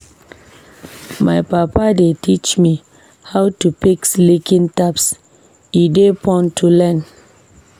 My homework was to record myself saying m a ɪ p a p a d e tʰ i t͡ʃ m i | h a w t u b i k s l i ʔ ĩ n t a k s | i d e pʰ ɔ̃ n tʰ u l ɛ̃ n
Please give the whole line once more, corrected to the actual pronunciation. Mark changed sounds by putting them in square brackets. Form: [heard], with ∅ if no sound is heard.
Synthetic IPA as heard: m a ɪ p a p a d e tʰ i t͡ʃ m i | h a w t u [p] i k s l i [k] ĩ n t a [p] s | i d e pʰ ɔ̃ n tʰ u l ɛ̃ n